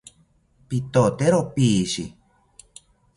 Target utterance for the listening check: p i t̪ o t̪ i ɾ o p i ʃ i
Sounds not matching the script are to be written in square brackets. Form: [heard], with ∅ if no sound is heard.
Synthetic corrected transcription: p i t̪ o t̪ [e] ɾ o p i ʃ i